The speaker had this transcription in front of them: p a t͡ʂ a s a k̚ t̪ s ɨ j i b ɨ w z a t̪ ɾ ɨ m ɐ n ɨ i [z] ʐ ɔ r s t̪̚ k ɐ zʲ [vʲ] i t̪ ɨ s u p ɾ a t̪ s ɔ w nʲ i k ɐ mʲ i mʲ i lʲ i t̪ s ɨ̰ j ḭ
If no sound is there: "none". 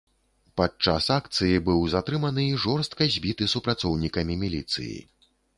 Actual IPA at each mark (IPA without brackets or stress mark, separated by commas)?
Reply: none, bʲ